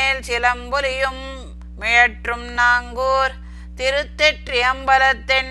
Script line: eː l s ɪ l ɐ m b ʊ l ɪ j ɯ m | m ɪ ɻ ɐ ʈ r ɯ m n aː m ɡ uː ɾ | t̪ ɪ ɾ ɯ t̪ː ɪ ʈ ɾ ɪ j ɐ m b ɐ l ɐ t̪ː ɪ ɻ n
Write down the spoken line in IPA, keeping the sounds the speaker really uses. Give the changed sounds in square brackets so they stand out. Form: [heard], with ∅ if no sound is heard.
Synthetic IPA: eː l s ɪ l ɐ m b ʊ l ɪ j ɯ m | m ɪ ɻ ɐ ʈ r ɯ m n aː [ŋ] ɡ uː ɾ | t̪ ɪ ɾ ɯ t̪ː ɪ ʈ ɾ ɪ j ɐ m b ɐ l ɐ t̪ː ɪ [∅] n